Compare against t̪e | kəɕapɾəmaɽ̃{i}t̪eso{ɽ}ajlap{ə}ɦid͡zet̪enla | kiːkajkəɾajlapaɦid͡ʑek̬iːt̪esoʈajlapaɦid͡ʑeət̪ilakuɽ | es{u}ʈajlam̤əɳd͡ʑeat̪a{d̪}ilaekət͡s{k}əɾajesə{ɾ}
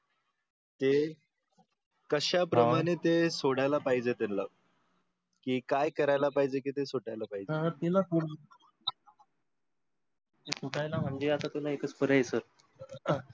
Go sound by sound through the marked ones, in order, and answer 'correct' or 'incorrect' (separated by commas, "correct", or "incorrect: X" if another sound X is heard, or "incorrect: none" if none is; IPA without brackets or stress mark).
incorrect: e, correct, incorrect: a, correct, incorrect: t̪, incorrect: p, correct